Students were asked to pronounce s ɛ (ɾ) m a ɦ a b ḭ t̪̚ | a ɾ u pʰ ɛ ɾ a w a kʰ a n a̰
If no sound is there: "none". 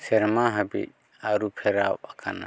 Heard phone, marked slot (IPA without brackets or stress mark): ɾ